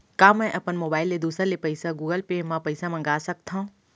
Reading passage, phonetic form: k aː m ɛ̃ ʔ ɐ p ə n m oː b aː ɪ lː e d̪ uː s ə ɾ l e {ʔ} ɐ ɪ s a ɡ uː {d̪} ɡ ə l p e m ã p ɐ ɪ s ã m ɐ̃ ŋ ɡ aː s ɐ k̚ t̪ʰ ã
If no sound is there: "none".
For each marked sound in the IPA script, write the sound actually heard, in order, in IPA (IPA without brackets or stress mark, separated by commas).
p, none